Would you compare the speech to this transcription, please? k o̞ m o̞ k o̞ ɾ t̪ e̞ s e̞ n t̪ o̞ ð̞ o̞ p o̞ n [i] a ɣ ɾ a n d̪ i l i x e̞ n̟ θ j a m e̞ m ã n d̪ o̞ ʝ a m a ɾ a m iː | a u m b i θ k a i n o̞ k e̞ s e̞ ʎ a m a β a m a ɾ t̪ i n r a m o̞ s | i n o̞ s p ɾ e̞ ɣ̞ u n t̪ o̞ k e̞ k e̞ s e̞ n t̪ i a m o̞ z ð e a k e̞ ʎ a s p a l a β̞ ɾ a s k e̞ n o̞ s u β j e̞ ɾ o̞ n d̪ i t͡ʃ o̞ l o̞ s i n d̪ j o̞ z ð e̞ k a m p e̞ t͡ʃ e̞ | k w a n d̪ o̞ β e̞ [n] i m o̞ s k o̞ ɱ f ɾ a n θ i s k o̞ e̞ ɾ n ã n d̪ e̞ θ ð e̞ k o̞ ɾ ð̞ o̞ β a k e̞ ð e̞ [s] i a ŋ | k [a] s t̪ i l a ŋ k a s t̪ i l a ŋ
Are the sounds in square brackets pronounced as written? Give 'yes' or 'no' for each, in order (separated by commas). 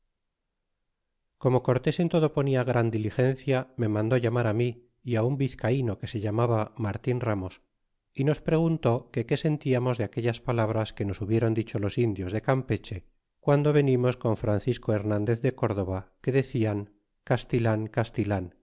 yes, yes, no, yes